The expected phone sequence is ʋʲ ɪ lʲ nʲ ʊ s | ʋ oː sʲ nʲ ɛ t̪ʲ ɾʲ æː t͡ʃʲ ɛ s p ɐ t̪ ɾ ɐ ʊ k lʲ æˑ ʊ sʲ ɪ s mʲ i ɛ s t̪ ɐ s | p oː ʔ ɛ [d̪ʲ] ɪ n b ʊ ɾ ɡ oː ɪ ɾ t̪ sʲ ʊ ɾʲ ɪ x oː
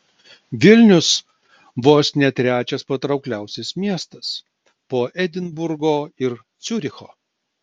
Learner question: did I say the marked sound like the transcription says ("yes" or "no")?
yes